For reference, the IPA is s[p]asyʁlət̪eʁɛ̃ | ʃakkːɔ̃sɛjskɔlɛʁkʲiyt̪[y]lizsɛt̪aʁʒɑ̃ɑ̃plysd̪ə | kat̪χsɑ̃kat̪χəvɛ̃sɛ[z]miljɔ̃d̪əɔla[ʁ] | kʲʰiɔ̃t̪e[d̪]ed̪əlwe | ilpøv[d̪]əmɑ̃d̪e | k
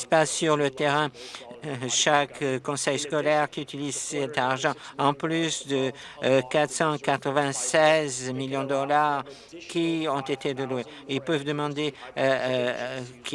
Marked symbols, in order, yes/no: yes, no, yes, yes, no, yes

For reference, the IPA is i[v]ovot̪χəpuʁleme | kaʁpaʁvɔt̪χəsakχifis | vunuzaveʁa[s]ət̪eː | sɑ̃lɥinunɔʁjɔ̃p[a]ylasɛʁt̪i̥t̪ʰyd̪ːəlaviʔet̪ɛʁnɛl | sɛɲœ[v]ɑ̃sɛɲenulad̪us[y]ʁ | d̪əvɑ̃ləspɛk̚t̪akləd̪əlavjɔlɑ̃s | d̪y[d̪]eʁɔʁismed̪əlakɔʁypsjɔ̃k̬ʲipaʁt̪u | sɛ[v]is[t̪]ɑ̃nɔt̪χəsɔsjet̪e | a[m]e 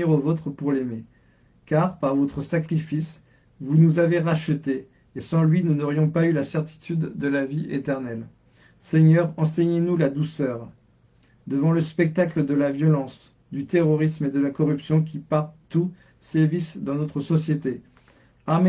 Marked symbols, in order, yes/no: no, no, yes, no, no, no, yes, no, yes

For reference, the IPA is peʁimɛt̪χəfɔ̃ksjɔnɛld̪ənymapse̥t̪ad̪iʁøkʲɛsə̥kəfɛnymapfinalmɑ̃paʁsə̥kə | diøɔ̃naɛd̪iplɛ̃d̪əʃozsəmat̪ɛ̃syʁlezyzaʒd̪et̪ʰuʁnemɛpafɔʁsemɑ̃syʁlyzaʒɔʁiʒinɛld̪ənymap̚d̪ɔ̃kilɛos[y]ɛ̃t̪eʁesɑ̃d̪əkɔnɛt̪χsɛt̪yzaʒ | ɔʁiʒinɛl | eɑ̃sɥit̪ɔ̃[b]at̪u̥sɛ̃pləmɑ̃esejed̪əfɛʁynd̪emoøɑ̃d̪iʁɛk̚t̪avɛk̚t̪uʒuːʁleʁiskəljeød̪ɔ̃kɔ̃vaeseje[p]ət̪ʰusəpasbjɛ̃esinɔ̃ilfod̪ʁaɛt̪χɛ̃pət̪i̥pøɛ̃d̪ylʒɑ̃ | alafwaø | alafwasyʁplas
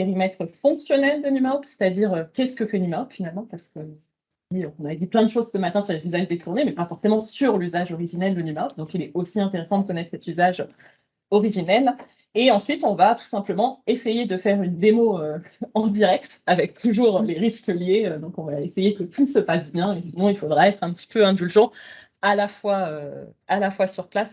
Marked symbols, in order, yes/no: no, no, no

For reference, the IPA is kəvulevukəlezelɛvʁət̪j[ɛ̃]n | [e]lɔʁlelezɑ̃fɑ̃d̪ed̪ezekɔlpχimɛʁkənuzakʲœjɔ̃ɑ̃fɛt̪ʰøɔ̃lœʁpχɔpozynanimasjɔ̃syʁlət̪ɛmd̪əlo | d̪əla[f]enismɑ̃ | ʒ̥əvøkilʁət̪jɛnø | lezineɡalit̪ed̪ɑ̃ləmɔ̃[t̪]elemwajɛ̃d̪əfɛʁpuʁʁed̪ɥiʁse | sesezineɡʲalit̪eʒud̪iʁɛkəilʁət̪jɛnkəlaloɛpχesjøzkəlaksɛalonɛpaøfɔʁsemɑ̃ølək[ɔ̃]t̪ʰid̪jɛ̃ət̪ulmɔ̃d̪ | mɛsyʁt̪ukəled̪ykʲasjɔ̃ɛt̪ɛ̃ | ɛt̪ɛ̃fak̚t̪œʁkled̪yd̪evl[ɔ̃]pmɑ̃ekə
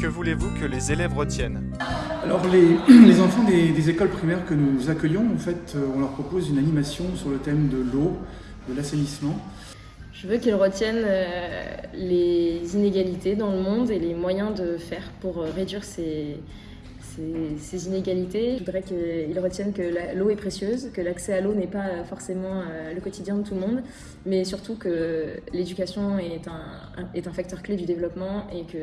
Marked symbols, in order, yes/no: no, no, no, no, no, no

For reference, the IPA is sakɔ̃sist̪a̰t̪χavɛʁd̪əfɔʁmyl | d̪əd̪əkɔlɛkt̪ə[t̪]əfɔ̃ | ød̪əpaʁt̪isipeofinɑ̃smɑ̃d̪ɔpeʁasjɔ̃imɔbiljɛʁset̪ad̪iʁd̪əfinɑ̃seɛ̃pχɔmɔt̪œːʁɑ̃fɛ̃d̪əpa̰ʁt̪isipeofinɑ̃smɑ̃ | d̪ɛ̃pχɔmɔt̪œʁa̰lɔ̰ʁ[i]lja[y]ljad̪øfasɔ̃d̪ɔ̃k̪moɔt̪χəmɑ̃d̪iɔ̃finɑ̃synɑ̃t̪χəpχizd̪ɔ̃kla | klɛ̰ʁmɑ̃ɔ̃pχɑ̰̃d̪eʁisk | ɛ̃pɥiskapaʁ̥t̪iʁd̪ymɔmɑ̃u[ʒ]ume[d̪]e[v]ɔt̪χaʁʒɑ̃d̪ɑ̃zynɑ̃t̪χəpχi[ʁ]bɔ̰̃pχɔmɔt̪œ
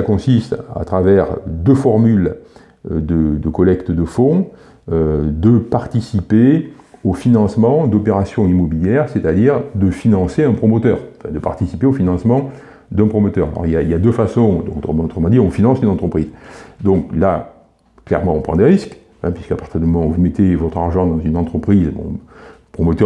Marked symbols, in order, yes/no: no, yes, no, no, no, yes, no

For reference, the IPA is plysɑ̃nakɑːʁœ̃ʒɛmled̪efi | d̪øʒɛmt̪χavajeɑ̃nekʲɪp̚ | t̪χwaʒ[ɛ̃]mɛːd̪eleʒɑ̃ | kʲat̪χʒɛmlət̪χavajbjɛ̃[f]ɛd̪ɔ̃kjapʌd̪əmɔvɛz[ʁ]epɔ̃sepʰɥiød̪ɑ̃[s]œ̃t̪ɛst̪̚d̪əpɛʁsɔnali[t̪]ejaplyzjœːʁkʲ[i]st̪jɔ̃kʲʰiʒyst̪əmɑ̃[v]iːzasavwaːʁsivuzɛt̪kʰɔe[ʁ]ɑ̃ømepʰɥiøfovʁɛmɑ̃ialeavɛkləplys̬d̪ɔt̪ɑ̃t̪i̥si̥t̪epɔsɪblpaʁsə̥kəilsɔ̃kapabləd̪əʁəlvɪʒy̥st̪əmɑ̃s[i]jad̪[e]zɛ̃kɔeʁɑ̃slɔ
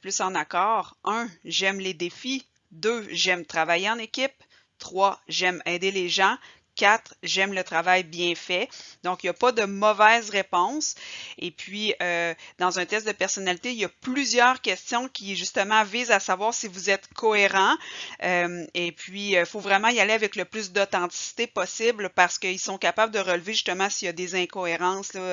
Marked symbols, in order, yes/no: no, yes, yes, no, yes, no, yes, yes, yes, yes

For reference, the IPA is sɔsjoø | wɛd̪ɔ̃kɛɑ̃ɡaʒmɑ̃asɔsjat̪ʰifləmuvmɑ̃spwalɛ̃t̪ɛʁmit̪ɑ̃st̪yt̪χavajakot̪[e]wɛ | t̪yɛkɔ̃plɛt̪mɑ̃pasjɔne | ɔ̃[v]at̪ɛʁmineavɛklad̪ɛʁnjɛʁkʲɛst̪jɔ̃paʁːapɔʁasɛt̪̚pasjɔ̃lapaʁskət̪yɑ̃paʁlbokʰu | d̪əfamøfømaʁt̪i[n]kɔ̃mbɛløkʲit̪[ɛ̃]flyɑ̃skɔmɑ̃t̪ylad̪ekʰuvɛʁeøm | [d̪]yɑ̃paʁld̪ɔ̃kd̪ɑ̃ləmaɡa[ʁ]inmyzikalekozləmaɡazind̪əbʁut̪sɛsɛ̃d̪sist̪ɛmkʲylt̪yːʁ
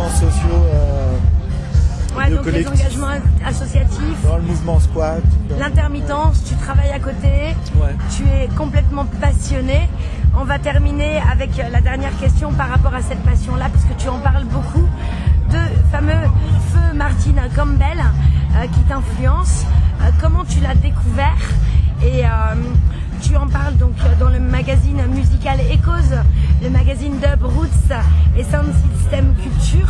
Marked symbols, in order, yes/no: yes, yes, yes, yes, no, no

